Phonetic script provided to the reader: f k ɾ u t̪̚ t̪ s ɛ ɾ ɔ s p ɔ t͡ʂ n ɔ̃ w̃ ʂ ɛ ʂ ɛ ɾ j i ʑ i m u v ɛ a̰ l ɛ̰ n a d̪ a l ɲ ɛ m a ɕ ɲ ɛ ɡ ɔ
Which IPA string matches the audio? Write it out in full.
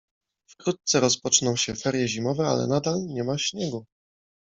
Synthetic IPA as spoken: f k ɾ u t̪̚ t̪ s ɛ ɾ ɔ s p ɔ t͡ʂ n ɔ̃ w̃ ɕ ɛ f ɛ ɾ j ɛ ʑ i m ɔ v ɛ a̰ l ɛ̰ n a d̪ a l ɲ ɛ m a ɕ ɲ ɛ ɡ u